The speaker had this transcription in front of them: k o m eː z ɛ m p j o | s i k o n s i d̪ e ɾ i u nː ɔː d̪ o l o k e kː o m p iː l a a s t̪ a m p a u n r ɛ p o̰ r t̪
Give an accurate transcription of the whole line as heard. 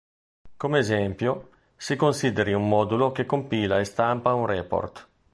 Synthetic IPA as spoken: k o m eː z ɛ m p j o | s i k o n s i d̪ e ɾ i u mː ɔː d̪ u l o k e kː o m p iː l a e s t̪ a m p a u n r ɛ p o̰ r t̪